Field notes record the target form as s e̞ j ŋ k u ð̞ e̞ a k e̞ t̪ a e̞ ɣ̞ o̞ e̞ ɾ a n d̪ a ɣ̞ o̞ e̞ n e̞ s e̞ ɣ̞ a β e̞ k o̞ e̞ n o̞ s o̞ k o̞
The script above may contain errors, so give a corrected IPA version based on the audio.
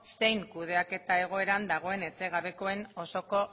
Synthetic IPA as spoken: s e̞ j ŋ k u ð̞ e̞ a k e̞ t̪ a e̞ ɣ̞ o̞ e̞ ɾ a n d̪ a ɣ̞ o̞ e̞ n e̞ t͡s e̞ ɣ̞ a β e̞ k o̞ e̞ n o̞ s o̞ k o̞